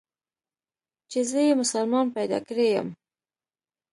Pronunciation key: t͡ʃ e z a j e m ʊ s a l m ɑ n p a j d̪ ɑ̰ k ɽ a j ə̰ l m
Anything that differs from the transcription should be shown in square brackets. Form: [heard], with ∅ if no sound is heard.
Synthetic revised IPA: t͡ʃ e z [ə] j e m ʊ s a l m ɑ n p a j d̪ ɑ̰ k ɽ [e] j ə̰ [∅] m